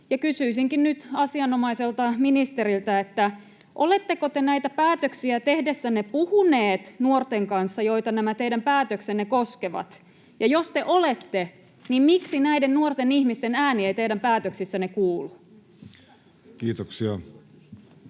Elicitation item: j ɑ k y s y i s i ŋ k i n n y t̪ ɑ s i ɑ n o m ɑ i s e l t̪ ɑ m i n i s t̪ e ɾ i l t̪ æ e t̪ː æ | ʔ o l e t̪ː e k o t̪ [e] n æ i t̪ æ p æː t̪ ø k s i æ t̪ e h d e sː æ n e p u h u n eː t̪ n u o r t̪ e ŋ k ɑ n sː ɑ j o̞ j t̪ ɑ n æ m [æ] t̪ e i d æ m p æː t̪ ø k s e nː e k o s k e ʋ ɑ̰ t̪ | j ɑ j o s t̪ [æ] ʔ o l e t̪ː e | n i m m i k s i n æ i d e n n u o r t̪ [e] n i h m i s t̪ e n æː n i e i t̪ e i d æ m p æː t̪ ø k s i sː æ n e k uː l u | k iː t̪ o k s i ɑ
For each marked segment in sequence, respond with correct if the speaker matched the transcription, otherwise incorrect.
correct, correct, incorrect: e, correct

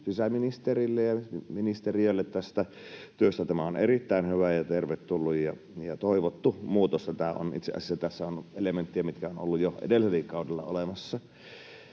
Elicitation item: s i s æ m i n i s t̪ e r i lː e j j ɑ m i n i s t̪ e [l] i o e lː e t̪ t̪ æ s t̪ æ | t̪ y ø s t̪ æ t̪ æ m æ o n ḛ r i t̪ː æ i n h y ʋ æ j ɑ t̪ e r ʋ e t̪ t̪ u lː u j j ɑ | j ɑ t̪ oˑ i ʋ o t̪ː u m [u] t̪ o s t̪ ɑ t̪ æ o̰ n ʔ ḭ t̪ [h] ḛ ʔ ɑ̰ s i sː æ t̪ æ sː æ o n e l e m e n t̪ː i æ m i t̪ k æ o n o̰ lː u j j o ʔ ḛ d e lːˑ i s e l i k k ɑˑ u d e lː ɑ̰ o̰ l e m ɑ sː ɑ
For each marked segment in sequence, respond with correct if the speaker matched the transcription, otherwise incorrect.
incorrect: r, incorrect: uː, incorrect: s

